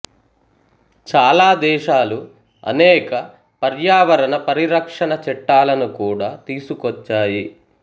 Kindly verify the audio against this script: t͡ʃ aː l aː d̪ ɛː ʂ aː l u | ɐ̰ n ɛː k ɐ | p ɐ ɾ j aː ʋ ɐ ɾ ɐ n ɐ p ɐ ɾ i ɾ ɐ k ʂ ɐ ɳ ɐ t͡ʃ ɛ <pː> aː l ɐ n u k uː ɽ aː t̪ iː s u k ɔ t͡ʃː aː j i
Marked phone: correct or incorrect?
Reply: incorrect